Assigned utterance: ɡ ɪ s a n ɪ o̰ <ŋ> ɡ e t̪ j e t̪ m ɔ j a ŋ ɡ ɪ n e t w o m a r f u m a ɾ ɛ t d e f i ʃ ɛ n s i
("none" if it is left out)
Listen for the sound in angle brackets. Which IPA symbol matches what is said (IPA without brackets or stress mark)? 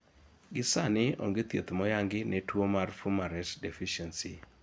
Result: ŋ